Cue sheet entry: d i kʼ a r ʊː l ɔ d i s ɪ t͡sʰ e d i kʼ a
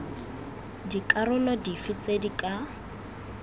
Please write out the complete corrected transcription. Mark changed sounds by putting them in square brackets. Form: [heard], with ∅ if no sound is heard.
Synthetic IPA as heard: d i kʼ a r [ʊ] l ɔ d i [f] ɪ [t͡s] e d i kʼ a